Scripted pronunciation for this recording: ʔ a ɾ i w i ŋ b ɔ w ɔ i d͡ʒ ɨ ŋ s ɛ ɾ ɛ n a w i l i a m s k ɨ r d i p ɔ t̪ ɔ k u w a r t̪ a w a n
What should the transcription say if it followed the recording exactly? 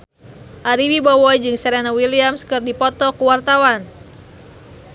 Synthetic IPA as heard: ʔ a ɾ i w i b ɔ w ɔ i d͡ʒ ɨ ŋ s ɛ ɾ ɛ n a w i l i a m s k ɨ r d i p ɔ t̪ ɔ k u w a r t̪ a w a n